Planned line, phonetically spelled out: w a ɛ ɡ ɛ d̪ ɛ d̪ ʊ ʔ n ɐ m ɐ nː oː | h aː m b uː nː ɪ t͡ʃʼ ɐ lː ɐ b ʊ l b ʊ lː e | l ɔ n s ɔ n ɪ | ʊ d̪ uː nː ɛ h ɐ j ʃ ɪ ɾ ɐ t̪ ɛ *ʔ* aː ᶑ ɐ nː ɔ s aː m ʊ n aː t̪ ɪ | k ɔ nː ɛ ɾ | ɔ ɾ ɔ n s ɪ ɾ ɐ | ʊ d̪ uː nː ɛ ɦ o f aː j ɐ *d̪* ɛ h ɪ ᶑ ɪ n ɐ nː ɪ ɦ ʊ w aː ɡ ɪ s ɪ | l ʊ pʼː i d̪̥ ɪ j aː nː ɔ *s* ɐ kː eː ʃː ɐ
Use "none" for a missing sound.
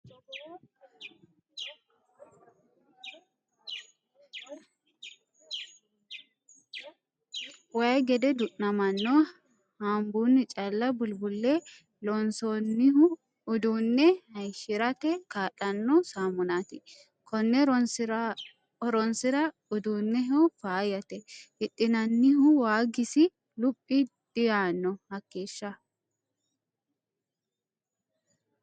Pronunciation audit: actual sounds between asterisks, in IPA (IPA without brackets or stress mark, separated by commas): k, t̪, h